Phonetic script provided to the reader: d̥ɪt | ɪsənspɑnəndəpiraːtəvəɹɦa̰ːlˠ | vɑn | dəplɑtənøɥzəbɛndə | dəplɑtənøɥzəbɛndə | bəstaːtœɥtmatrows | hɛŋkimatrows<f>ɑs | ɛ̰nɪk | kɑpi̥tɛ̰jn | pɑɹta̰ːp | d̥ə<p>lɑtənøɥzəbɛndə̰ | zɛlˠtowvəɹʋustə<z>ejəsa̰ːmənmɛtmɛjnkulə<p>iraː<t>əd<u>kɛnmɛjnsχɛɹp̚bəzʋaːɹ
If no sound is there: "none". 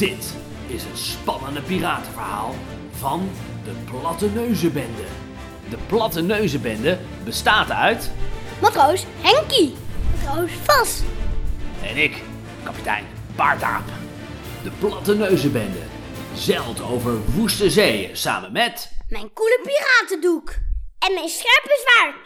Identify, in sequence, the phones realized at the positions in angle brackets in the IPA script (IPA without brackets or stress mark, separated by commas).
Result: f, p, z, p, t, u